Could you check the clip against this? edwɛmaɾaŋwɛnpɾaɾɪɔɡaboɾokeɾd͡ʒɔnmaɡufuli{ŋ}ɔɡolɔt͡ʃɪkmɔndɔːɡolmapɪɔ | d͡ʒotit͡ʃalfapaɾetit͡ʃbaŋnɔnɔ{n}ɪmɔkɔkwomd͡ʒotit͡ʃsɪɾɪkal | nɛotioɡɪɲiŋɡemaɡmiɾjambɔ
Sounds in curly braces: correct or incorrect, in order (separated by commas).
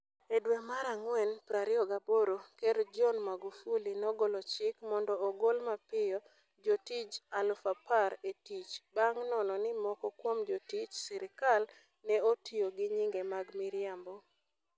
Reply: incorrect, correct